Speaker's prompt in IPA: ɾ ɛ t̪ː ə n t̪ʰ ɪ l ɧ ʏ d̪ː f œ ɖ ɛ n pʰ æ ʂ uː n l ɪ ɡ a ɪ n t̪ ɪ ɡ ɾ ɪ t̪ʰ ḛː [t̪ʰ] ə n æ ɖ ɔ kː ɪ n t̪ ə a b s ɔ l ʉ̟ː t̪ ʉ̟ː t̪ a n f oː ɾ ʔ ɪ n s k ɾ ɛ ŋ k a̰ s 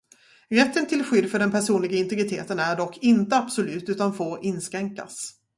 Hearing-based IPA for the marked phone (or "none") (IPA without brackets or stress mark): t̪